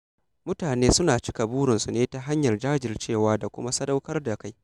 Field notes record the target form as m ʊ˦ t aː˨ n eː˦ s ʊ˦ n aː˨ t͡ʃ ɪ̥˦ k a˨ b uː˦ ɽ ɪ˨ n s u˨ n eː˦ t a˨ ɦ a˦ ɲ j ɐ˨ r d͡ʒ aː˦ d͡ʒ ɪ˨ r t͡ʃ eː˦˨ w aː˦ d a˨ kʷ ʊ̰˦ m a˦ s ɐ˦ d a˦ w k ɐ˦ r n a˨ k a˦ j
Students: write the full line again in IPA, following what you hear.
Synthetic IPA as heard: m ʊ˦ t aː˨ n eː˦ s ʊ˦ n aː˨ t͡ʃ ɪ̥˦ k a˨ b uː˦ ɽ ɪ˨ n s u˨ n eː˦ t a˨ ɦ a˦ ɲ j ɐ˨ r d͡ʒ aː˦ d͡ʒ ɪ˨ r t͡ʃ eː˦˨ w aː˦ d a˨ kʷ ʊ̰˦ m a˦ s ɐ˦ d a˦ w k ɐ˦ r d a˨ k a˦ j